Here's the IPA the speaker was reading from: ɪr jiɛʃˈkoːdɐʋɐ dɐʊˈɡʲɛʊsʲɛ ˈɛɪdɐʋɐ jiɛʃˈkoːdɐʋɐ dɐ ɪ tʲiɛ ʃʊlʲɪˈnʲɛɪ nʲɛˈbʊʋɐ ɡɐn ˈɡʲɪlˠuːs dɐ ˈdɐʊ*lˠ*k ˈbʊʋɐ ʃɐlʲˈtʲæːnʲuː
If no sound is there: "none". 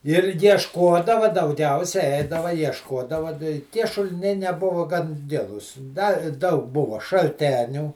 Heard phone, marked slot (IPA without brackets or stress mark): none